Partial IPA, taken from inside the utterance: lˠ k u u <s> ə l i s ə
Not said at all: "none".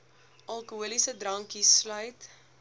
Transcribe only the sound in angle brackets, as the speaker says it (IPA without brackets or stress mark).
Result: none